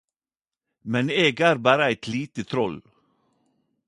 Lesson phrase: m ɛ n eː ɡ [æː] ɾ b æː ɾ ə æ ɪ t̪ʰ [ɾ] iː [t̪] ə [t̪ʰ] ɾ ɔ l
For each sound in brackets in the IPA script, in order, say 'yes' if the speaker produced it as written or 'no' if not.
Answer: yes, no, yes, yes

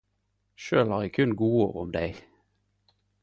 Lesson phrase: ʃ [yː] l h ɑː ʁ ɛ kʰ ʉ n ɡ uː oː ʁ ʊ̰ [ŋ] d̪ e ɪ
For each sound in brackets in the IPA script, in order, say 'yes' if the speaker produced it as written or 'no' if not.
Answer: no, no

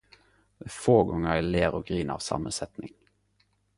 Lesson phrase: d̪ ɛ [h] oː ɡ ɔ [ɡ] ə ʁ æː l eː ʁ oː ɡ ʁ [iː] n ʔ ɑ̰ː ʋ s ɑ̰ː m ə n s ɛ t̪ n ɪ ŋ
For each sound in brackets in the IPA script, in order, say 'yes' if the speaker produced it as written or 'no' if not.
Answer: no, no, yes

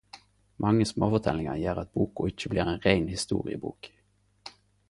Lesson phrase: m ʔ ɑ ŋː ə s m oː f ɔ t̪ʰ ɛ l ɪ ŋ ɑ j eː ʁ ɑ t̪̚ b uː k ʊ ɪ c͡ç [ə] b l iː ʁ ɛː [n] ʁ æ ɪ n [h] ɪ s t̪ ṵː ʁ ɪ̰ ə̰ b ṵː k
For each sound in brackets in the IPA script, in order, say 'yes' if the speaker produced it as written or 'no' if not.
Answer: yes, yes, yes

